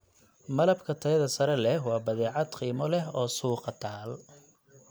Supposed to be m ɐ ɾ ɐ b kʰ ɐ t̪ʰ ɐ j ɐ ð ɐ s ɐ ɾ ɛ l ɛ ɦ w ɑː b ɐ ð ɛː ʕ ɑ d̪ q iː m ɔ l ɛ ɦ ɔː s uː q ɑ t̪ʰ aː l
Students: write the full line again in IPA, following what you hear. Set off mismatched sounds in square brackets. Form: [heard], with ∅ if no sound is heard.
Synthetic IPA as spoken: m ɐ [l] ɐ b kʰ ɐ t̪ʰ ɐ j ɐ ð ɐ s ɐ ɾ ɛ l ɛ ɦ w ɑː b ɐ ð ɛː ʕ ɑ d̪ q iː m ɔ l ɛ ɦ ɔː s uː q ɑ t̪ʰ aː l